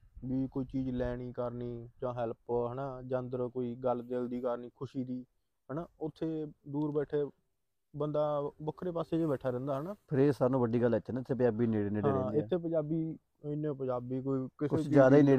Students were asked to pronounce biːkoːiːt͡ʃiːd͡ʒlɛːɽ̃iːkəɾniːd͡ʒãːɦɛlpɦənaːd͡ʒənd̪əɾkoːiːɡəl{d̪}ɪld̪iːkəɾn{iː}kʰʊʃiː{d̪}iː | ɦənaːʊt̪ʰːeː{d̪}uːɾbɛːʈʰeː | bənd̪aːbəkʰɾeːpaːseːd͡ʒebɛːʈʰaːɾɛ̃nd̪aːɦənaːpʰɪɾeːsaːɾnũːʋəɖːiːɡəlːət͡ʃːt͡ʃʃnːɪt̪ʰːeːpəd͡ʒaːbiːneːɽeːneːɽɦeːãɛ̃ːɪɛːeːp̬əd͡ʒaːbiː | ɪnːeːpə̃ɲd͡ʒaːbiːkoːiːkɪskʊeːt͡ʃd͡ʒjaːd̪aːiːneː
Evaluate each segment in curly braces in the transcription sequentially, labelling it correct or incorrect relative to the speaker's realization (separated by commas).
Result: correct, correct, correct, correct